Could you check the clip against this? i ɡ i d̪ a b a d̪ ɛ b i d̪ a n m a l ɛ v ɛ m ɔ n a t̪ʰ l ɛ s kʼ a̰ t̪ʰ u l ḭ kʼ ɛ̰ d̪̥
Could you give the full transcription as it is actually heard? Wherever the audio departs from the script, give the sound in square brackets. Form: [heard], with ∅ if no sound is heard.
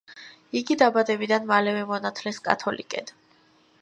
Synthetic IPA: i ɡ i d̪ a b a d̪ ɛ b i d̪ a n m a l ɛ v ɛ m ɔ n a t̪ʰ l ɛ s kʼ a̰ t̪ʰ [ɔ] l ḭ kʼ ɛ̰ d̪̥